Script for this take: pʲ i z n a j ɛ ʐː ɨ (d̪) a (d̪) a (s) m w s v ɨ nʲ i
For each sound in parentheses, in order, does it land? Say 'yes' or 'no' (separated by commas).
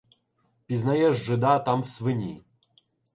yes, no, no